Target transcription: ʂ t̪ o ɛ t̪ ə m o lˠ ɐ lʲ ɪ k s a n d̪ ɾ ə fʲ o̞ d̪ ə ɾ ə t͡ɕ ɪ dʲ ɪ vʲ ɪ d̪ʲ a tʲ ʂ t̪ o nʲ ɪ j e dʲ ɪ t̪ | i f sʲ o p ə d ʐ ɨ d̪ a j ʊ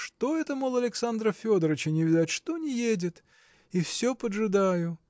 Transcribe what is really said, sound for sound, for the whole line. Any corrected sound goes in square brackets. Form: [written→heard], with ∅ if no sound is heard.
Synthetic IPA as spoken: ʂ t̪ o ɛ t̪ ə m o lˠ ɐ lʲ ɪ k s a n d̪ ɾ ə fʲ o̞ d̪ ə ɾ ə t͡ɕ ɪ [dʲ→nʲ] ɪ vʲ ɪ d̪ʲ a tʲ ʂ t̪ o nʲ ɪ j e dʲ ɪ t̪ | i f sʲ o p ə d ʐ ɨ d̪ a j ʊ